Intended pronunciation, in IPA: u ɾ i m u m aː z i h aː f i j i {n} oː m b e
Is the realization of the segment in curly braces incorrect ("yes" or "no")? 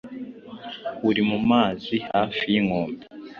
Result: yes